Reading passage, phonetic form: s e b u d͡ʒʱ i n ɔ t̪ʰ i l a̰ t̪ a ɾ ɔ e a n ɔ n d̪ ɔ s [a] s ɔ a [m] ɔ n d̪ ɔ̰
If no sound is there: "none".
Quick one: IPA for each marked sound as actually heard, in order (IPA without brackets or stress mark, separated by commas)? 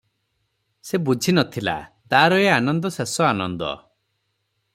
e, n